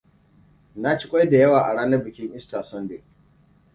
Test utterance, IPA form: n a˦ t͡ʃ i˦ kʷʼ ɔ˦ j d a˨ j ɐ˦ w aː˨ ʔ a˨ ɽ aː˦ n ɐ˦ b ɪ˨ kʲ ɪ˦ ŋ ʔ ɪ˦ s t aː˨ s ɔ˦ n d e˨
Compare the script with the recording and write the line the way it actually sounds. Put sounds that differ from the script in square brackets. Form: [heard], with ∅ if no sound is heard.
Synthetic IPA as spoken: n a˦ t͡ʃ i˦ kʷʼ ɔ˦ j d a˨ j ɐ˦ w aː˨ ʔ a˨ ɽ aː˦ n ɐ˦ b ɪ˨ kʲ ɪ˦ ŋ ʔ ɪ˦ s t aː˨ s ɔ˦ n d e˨